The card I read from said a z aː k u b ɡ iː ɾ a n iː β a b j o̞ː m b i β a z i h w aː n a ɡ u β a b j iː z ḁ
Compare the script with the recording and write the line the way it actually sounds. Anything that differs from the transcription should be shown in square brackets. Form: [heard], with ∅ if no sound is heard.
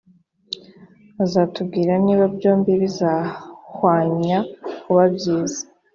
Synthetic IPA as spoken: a z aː [t] u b ɡ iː ɾ a n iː β a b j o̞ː m b i β [i] z [a] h w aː [ɲ] a [k] u β a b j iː z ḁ